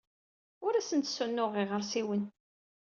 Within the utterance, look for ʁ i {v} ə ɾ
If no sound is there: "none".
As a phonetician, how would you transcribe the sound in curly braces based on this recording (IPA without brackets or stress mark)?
ʁ